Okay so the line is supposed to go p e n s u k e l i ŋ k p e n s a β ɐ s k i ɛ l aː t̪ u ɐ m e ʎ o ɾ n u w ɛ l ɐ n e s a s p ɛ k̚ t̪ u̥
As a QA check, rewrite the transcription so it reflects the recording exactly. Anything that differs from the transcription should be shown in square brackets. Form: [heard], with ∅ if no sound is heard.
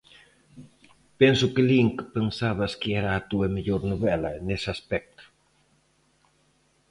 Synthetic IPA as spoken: p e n s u k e l i ŋ k p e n s a β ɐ s k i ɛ [ɾ] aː t̪ u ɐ m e ʎ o ɾ n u [β] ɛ l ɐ n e s a s p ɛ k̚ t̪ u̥